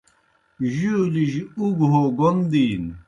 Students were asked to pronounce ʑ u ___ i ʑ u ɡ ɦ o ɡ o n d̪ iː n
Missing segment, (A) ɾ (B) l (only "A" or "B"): B